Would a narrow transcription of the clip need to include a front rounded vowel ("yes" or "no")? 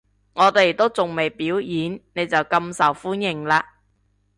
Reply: no